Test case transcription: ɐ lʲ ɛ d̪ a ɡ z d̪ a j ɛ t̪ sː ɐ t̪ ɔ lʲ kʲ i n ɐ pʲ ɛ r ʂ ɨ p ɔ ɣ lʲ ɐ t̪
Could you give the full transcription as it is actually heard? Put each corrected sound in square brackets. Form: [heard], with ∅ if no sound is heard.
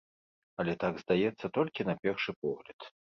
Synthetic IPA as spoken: ɐ lʲ ɛ [t̪] a ɡ z d̪ a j ɛ t̪ sː ɐ t̪ ɔ lʲ kʲ i n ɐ pʲ ɛ r ʂ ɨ p ɔ ɣ lʲ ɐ t̪